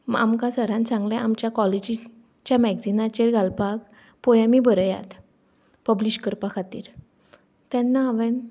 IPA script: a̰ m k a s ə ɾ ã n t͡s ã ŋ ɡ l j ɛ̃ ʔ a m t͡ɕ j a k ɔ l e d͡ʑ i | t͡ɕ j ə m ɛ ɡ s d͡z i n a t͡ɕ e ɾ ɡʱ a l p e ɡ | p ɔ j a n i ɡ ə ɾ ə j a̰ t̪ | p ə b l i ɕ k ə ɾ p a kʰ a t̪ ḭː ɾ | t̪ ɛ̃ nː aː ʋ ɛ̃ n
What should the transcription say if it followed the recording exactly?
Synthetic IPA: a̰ m k a s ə ɾ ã n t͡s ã ŋ ɡ l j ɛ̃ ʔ a m t͡ɕ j a k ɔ l e d͡ʑ i | t͡ɕ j a m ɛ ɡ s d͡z i n a t͡ɕ e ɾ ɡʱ a l p a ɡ | p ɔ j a m i b ə ɾ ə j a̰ t̪ | p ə b l i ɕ k ə ɾ p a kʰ a t̪ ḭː ɾ | t̪ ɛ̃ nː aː ʋ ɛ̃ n